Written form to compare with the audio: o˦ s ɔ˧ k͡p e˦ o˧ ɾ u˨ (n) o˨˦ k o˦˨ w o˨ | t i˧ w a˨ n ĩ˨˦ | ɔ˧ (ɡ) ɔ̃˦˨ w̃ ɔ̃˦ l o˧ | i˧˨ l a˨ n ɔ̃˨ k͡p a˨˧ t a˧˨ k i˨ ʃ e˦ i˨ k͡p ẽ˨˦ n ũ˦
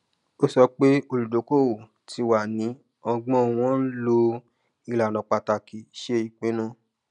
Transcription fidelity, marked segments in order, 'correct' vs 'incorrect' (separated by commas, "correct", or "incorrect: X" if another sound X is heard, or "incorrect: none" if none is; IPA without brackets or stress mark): incorrect: d, incorrect: ɡ͡b